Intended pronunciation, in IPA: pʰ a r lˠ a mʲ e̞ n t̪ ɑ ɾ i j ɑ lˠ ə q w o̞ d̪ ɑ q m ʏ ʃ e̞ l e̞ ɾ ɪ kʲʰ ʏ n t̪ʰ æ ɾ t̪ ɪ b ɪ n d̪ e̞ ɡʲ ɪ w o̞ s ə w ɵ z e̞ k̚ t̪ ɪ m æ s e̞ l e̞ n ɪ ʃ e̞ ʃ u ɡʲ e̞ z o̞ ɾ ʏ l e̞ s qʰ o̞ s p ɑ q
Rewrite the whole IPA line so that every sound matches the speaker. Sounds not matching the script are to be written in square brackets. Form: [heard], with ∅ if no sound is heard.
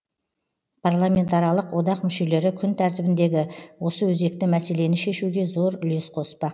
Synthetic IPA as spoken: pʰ a r lˠ a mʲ e̞ n t̪ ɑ ɾ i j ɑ lˠ ə q w o̞ d̪ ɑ q m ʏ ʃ e̞ l e̞ ɾ ɪ kʲʰ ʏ n t̪ʰ æ ɾ t̪ ɪ b ɪ n d̪ e̞ ɡʲ ɪ w o̞ s ə w ɵ z e̞ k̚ t̪ ɪ m æ s e̞ l e̞ n ɪ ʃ e̞ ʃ u ɡʲ e̞ z o̞ ɾ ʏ l e̞ s qʰ o̞ s p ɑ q